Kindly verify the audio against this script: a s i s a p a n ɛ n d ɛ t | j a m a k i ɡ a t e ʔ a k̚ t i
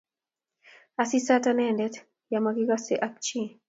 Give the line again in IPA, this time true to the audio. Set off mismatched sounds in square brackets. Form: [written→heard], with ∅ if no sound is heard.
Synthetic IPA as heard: a s i s a [p→t] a n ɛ n d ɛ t | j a m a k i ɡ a [t→s] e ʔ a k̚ [t→t͡ʃ] i